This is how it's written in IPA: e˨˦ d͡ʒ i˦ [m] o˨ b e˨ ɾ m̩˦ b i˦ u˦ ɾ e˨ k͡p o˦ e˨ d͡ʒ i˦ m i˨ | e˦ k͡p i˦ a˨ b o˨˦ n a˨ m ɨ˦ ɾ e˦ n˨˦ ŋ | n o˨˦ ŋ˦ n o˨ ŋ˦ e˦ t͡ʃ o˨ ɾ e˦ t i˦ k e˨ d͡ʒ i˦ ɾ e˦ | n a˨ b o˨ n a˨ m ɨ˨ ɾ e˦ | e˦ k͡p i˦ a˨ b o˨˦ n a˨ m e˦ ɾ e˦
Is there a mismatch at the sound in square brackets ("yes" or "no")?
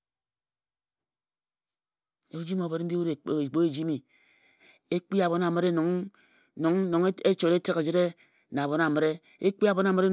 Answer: no